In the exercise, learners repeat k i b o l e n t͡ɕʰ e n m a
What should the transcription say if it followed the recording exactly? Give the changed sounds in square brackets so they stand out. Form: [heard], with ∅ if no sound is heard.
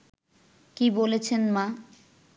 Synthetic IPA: k i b o l e [∅] t͡ɕʰ e n m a